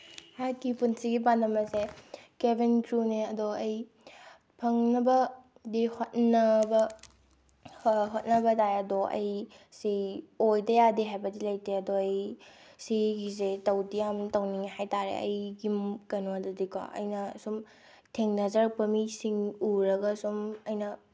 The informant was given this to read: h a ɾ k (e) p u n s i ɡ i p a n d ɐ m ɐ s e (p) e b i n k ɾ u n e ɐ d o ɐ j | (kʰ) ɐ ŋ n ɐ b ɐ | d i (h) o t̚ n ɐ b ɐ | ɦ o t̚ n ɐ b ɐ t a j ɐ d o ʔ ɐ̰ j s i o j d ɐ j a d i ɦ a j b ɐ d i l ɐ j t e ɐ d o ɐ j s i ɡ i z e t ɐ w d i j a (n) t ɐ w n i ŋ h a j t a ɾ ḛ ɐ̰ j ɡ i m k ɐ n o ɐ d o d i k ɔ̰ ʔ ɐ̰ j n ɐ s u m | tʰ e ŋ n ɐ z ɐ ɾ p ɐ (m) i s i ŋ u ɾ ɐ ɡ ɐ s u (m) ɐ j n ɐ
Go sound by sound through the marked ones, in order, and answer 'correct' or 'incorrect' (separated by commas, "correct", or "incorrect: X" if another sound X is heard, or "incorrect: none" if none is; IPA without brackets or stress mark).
incorrect: i, incorrect: k, incorrect: pʰ, correct, incorrect: m, correct, correct